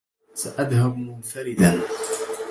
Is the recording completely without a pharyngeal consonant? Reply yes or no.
yes